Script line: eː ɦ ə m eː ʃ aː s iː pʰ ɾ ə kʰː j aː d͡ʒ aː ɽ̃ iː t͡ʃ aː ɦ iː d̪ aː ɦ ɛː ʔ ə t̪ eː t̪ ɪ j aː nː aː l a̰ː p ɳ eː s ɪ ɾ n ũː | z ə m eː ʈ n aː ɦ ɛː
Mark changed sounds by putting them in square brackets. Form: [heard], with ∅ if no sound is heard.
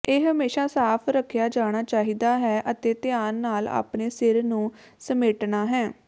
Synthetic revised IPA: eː ɦ ə m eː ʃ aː s [aː] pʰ ɾ ə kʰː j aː d͡ʒ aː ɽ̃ [aː] t͡ʃ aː ɦ iː d̪ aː ɦ ɛː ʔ ə t̪ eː t̪ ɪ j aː nː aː l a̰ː p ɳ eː s ɪ ɾ n ũː | [s] ə m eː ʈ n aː ɦ ɛː